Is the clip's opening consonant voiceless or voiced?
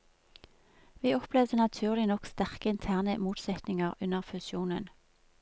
voiced